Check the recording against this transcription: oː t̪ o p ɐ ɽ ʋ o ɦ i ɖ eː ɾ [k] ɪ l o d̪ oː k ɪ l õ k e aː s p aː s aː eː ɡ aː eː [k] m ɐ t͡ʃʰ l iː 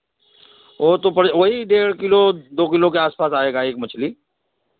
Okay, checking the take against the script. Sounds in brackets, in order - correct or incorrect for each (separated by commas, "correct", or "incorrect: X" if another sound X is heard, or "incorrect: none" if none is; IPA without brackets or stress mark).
correct, correct